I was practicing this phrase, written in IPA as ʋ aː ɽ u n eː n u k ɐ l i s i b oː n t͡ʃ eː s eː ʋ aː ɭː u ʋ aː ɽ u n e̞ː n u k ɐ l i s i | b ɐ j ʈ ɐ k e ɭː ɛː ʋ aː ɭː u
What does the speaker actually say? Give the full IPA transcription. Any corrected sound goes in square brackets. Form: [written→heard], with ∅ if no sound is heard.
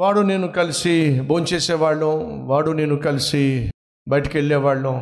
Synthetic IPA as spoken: ʋ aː ɽ u n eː n u k ɐ l i s i b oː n t͡ʃ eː s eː ʋ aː ɭː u ʋ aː ɽ u n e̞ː n u k ɐ l i s i | b ɐ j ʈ ɐ k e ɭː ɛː ʋ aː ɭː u